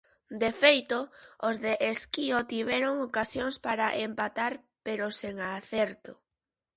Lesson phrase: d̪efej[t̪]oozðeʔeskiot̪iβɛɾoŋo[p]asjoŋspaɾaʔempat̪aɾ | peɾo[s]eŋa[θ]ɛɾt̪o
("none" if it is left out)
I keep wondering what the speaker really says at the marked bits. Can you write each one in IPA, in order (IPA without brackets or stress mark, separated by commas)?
t̪, k, s, θ